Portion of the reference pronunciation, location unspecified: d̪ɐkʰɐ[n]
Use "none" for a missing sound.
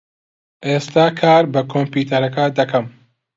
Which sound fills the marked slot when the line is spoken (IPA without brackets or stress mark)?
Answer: m